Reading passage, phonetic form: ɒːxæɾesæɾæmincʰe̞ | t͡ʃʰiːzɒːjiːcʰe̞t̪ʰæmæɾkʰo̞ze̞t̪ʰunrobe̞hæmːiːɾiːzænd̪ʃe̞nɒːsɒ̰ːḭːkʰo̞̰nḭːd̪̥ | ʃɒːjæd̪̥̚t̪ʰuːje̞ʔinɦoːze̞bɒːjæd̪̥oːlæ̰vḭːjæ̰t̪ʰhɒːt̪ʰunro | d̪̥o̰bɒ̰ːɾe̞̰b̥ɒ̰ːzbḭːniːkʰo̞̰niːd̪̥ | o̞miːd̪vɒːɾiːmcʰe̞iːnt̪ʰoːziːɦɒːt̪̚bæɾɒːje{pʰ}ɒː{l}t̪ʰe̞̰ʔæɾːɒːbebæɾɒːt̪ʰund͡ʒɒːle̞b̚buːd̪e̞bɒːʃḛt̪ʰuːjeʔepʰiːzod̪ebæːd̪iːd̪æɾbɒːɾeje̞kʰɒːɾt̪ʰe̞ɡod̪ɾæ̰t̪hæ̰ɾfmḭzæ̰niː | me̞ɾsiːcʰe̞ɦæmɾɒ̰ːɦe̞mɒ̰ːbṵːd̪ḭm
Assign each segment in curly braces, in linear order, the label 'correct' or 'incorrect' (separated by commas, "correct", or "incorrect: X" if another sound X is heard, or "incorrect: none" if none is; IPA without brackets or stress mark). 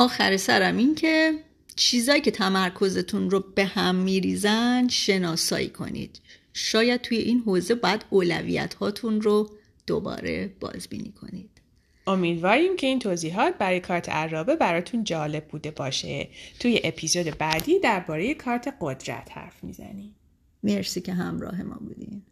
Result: incorrect: kʰ, incorrect: ɾ